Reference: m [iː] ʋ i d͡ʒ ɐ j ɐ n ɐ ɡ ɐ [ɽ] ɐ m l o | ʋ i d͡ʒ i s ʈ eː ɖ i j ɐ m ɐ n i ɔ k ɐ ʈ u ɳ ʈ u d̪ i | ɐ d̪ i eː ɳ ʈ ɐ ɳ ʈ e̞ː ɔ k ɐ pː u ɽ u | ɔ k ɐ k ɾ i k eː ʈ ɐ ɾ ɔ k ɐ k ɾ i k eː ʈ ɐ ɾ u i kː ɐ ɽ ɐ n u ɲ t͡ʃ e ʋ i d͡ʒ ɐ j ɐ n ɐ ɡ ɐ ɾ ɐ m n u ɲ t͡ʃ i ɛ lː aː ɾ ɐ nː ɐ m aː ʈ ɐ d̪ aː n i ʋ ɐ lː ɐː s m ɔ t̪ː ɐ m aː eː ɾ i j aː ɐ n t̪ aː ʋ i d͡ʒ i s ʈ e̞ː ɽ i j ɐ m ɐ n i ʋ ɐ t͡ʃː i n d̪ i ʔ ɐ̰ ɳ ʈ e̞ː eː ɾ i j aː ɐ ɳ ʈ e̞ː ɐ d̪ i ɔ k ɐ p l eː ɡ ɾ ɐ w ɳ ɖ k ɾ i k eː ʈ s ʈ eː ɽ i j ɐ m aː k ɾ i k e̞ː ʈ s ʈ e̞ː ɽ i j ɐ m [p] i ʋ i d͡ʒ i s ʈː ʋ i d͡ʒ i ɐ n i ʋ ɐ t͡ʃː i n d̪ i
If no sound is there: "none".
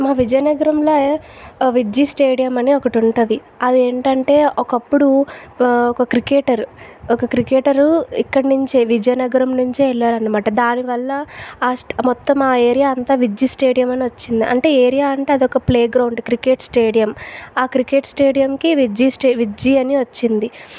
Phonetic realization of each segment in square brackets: aː, ɾ, k

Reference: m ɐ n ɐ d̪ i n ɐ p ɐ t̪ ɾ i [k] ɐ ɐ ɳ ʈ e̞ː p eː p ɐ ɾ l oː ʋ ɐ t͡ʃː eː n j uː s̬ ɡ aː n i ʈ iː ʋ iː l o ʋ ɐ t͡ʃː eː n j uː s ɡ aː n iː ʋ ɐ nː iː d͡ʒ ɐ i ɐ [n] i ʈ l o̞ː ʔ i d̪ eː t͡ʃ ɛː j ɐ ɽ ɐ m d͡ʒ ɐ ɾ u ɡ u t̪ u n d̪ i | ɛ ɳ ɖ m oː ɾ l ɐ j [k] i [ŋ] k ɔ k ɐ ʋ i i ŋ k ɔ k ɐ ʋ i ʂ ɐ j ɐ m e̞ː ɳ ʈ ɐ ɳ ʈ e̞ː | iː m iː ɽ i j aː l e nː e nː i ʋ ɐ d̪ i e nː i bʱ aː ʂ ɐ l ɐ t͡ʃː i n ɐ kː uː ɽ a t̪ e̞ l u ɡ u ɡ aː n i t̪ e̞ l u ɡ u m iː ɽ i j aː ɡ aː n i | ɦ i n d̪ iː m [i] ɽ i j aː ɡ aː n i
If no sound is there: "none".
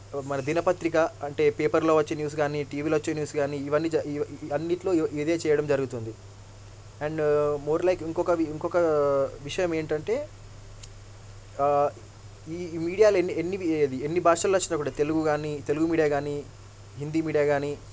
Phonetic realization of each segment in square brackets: k, nː, k, ŋ, iː

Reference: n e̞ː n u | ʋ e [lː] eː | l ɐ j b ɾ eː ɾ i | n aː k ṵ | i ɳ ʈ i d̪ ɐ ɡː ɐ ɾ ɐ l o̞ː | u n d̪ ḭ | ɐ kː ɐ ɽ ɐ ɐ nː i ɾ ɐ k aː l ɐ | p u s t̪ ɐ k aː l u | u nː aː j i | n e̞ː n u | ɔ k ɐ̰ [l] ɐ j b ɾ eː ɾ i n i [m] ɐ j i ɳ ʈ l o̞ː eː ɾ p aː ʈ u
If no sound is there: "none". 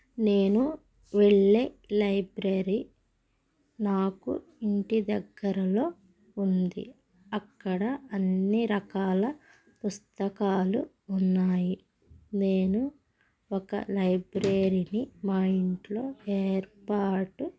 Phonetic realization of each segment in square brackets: ɭː, l, m

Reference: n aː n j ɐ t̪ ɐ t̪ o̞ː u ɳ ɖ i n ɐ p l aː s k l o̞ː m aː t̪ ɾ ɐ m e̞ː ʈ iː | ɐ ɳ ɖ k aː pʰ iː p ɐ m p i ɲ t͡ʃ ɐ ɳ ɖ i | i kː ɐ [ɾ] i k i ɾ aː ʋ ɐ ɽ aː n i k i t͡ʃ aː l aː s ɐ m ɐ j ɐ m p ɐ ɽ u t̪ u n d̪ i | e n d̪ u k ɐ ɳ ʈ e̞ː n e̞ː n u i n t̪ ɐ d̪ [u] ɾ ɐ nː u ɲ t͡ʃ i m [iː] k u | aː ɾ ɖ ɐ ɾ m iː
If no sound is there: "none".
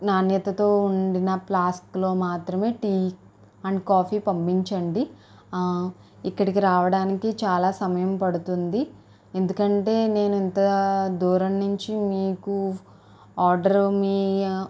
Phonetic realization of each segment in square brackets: ɽ, uː, iː

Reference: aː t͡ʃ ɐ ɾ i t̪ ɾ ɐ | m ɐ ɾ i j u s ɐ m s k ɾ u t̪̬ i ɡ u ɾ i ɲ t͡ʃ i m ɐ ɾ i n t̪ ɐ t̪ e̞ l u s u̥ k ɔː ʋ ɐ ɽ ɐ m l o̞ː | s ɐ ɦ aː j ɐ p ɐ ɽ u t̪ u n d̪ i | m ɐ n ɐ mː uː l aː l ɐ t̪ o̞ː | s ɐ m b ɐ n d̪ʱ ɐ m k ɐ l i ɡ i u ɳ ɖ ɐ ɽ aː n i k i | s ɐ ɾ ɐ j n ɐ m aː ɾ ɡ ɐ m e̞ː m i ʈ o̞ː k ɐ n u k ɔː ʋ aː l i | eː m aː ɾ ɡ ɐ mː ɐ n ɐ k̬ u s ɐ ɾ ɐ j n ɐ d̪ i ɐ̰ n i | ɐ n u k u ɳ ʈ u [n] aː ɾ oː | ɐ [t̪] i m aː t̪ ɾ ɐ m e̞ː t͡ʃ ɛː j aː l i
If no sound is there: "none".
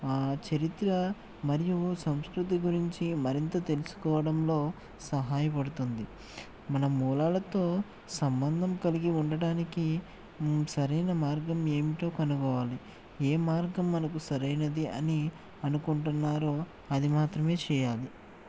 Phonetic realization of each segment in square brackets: nː, d̪

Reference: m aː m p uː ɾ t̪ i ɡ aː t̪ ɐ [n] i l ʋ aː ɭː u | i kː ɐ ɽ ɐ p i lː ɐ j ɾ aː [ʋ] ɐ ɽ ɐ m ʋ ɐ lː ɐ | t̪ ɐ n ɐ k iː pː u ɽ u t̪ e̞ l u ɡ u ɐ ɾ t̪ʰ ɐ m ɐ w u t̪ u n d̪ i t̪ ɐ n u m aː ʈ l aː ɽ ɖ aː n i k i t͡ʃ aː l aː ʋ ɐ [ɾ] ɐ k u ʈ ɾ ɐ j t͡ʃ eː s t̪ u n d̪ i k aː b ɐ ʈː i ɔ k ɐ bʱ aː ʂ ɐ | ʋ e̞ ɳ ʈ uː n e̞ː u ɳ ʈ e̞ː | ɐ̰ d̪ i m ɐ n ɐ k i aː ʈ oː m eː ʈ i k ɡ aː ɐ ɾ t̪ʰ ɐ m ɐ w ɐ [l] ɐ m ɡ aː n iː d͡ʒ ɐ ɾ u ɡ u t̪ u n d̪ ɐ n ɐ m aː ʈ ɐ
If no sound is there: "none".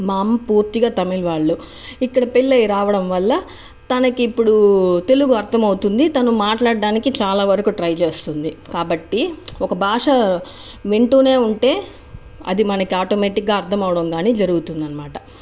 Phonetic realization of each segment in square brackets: m, ʋ, ɾ, ɽ

